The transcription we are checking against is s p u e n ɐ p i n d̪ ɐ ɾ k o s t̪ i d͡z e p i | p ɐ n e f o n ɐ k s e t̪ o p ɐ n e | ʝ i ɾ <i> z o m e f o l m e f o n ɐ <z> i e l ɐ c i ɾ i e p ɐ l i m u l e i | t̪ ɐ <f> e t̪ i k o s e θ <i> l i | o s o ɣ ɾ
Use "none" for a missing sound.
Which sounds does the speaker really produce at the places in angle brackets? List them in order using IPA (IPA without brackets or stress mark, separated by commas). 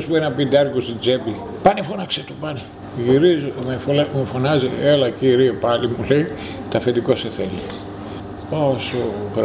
i, z, f, e